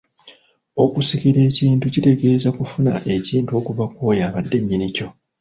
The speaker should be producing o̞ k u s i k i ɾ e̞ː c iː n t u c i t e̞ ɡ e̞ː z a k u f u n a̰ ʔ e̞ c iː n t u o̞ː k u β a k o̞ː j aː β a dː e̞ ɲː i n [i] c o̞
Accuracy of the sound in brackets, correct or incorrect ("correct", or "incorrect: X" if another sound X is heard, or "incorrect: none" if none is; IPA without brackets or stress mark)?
correct